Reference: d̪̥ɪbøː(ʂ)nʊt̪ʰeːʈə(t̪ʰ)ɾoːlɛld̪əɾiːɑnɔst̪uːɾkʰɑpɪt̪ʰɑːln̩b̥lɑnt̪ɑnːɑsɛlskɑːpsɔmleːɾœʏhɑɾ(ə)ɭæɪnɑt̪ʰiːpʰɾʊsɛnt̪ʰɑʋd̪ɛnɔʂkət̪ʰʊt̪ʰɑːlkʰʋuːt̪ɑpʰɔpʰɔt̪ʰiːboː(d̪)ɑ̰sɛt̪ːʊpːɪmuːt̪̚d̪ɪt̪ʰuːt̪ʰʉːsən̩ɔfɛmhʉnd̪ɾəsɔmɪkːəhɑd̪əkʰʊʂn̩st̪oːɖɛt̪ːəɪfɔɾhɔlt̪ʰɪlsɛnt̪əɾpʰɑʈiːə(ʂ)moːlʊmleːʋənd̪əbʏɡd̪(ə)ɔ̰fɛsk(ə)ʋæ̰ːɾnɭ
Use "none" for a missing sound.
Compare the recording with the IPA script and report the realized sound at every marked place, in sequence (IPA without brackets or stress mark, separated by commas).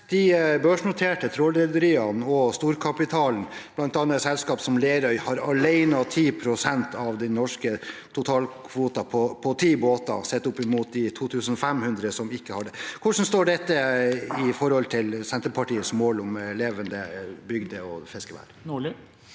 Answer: ʂ, t̪ʰ, ɑ, t̪, s, ə, ə